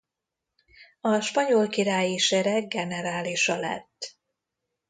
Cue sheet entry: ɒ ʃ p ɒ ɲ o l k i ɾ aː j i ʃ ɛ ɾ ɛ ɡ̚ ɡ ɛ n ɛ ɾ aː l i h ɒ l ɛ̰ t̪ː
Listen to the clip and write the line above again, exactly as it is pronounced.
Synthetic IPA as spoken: ɒ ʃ p ɒ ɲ o l k i ɾ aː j i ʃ ɛ ɾ ɛ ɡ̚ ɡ ɛ n ɛ ɾ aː l i ʃ ɒ l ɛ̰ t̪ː